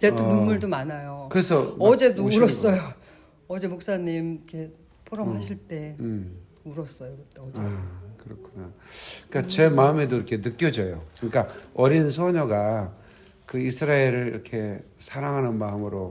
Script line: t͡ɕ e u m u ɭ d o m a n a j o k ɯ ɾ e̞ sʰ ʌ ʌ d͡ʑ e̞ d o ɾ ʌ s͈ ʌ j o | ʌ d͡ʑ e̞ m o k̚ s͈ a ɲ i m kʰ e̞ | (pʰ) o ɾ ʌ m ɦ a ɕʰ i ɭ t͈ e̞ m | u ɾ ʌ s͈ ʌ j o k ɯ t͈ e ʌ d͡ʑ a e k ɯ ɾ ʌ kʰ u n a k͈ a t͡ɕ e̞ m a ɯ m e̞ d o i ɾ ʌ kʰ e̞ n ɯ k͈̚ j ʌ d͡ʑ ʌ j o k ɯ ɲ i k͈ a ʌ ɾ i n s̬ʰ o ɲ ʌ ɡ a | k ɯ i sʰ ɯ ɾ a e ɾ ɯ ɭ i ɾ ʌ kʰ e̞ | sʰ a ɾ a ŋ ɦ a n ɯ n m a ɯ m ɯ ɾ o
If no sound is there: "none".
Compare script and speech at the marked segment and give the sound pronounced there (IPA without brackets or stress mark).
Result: pʰ